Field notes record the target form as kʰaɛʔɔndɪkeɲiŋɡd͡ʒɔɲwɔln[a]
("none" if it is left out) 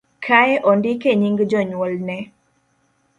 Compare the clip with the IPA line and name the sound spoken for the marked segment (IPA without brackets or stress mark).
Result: ɛ